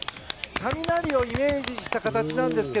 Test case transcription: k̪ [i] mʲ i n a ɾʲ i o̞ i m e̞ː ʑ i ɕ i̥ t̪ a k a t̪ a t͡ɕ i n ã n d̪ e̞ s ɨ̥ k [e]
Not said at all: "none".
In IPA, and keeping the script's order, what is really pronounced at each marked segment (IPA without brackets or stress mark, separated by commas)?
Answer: a, e